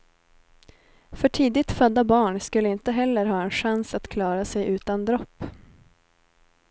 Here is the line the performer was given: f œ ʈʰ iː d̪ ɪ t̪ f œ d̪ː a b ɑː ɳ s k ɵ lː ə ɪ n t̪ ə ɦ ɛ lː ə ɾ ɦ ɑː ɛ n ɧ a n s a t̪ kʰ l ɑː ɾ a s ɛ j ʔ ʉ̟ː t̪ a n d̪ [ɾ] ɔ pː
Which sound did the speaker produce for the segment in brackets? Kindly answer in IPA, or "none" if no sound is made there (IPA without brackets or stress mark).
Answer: ɾ